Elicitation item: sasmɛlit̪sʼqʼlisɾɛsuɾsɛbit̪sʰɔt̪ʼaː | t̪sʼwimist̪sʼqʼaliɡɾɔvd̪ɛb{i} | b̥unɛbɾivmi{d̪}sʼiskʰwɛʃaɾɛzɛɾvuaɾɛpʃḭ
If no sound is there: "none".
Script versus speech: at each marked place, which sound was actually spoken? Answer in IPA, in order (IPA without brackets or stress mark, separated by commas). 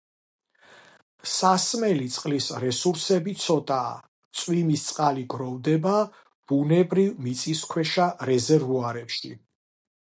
a, t̪